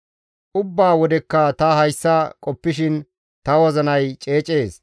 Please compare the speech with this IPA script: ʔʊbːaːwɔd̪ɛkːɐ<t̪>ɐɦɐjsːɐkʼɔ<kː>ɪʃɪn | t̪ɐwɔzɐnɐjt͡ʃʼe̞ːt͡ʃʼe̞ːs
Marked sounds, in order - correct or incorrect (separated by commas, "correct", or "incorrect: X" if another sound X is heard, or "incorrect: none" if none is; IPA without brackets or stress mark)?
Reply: correct, incorrect: pː